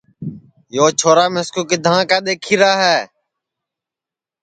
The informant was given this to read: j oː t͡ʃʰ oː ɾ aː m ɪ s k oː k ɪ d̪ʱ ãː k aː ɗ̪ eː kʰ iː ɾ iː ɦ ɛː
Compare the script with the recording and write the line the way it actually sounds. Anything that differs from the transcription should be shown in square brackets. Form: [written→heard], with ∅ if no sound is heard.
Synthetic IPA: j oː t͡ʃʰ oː ɾ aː m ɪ s k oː k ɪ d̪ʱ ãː k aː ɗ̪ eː kʰ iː ɾ [iː→aː] ɦ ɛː